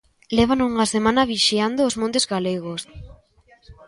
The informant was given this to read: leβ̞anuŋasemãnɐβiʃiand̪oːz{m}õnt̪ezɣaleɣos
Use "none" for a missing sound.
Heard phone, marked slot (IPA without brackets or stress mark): m